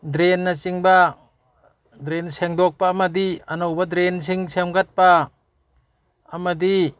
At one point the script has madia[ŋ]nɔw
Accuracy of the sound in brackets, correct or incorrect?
incorrect